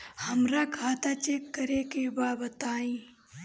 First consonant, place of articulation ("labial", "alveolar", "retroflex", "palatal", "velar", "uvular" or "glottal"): glottal